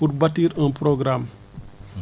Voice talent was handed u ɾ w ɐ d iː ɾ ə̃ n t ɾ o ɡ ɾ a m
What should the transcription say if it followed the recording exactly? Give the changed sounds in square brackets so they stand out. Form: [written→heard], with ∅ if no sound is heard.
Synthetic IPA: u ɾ [w→b] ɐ [d→t] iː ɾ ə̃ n [t→p] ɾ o ɡ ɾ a m